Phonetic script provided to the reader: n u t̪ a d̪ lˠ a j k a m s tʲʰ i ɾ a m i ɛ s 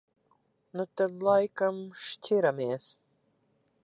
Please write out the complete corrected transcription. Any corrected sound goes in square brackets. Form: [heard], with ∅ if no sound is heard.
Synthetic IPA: n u t̪ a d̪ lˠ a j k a m [ʃ] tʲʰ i ɾ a m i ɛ s